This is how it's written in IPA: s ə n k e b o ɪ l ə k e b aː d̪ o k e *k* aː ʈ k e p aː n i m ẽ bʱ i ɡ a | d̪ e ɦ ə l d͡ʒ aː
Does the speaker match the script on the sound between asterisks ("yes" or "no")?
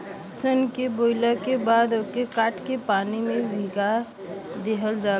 yes